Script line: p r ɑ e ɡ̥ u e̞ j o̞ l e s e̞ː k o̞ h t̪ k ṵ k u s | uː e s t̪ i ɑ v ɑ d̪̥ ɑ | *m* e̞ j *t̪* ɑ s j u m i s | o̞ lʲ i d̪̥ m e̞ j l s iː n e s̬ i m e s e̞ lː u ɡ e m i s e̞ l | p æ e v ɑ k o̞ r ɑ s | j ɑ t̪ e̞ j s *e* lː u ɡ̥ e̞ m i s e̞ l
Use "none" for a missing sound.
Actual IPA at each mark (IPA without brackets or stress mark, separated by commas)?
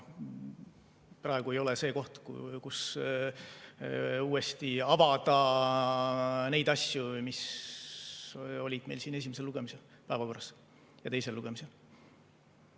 n, d̪, e